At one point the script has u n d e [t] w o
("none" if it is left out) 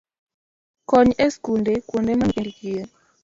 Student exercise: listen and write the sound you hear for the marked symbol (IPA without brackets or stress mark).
k